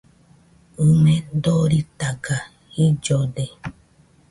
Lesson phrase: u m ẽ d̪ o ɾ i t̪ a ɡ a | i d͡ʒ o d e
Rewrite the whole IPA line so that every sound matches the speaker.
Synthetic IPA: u m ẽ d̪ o ɾ i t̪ a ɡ a | i d͡ʒ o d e